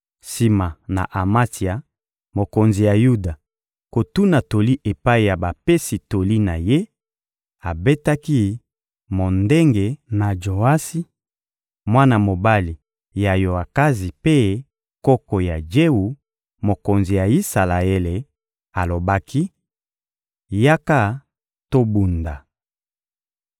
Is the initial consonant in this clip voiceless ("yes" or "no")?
yes